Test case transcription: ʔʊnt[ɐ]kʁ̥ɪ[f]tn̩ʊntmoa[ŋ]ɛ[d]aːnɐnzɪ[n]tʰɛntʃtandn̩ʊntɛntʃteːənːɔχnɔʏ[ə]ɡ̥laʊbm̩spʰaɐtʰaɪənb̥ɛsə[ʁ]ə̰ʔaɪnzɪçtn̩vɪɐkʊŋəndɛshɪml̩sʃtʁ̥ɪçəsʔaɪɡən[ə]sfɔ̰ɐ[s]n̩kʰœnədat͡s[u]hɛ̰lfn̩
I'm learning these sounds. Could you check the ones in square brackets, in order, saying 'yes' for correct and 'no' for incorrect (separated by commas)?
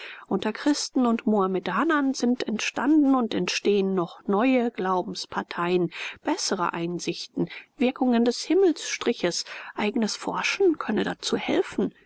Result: yes, no, no, yes, yes, yes, yes, yes, no, no